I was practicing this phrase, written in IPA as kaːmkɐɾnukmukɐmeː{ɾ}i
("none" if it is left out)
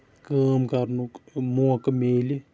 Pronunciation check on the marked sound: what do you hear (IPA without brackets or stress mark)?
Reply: l